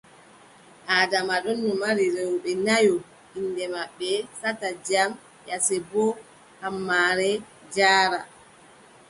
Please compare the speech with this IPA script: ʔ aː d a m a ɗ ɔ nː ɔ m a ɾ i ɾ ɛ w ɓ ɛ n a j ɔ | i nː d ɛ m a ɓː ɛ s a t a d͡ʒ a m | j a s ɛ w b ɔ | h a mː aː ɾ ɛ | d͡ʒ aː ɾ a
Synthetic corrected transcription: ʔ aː d a m a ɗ ɔ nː ɔ m a ɾ i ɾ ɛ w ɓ ɛ n a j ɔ | i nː d ɛ m a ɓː ɛ s a t a d͡ʒ a m | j a s ɛ b ɔ | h a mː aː ɾ ɛ | d͡ʒ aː ɾ a